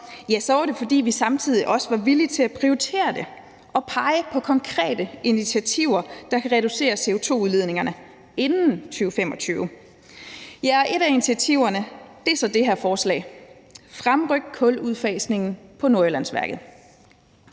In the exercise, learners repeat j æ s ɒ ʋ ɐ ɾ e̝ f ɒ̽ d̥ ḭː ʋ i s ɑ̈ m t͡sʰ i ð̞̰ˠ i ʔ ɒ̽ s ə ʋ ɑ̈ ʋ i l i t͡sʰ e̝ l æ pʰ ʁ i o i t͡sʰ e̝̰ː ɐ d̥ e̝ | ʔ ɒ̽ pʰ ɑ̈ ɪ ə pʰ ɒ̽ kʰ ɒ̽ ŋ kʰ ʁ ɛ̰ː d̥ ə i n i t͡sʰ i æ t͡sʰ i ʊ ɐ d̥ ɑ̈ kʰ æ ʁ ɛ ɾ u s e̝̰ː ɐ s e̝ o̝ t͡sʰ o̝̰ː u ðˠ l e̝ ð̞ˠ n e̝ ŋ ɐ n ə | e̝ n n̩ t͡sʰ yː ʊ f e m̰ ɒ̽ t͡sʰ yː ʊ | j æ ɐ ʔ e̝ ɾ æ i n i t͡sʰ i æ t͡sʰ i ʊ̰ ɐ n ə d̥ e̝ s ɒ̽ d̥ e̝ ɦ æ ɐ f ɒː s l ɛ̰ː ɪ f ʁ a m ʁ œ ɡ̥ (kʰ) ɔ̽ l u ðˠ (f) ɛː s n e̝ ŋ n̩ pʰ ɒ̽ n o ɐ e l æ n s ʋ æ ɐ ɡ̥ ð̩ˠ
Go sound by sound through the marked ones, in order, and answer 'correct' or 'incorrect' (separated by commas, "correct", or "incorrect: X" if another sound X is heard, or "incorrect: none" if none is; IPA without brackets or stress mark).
correct, correct